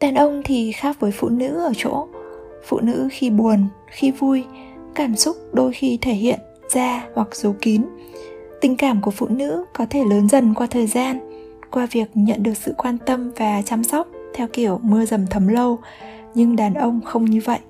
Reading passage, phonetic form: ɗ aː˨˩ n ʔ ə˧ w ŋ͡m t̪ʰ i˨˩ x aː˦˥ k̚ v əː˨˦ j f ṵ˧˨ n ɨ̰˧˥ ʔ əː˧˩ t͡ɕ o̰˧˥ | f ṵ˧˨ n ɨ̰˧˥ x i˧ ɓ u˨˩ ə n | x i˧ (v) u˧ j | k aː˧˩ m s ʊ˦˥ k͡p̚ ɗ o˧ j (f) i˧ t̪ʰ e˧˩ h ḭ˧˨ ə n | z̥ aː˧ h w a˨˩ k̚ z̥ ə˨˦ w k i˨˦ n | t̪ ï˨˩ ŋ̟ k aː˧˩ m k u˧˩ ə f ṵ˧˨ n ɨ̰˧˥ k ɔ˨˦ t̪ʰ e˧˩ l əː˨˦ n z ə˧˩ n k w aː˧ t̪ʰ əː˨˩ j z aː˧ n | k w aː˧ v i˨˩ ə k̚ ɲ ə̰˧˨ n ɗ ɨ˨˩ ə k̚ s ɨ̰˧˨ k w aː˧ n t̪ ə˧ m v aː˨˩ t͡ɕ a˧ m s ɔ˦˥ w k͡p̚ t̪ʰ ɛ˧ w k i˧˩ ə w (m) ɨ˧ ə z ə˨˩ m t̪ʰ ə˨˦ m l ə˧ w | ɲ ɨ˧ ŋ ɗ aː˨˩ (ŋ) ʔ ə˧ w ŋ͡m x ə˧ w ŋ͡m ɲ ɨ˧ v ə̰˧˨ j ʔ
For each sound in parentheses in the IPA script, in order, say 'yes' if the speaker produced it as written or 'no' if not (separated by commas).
yes, no, yes, no